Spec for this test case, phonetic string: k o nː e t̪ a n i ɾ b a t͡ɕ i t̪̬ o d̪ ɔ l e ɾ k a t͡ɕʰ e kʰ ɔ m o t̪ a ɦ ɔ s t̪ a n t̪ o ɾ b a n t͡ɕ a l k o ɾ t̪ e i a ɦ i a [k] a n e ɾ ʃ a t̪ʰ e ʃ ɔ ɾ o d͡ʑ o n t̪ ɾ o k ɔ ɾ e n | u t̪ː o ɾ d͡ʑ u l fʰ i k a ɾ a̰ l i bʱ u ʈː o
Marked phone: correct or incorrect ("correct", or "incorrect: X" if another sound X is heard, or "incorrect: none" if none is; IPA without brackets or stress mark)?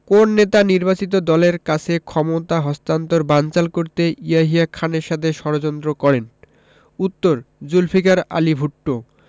incorrect: kʰ